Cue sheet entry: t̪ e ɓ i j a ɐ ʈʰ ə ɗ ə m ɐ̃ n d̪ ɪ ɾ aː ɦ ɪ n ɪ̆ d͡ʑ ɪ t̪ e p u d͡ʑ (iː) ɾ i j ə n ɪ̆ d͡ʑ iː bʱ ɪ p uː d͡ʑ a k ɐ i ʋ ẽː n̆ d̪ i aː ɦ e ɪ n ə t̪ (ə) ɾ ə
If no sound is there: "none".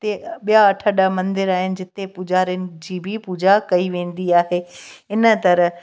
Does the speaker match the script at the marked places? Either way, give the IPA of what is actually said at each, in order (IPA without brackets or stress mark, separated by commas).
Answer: aː, ɐ